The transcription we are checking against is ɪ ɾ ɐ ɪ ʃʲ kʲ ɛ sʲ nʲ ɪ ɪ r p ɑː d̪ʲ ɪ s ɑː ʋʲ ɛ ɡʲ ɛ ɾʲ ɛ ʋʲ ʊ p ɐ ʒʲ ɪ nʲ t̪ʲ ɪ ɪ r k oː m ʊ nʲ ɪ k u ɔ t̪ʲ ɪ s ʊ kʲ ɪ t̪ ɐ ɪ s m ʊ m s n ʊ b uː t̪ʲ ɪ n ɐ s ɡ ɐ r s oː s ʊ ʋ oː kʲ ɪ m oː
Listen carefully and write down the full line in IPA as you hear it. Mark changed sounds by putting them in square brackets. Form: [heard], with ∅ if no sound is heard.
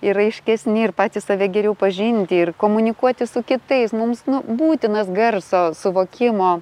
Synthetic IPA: ɪ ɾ ɐ ɪ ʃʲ kʲ ɛ sʲ nʲ ɪ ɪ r p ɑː [t̪ʲ] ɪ s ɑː ʋʲ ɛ ɡʲ ɛ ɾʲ ɛ [∅] ʊ p ɐ ʒʲ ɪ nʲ t̪ʲ ɪ ɪ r k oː m ʊ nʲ ɪ k u ɔ t̪ʲ ɪ s ʊ kʲ ɪ t̪ ɐ ɪ s m ʊ m s n ʊ b uː t̪ʲ ɪ n ɐ s ɡ ɐ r s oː s ʊ ʋ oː kʲ ɪ m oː